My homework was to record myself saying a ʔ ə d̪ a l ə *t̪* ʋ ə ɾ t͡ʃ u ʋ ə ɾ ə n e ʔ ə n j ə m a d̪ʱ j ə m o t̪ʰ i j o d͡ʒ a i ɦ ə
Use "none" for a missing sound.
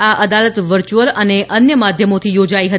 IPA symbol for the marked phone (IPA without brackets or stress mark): t̪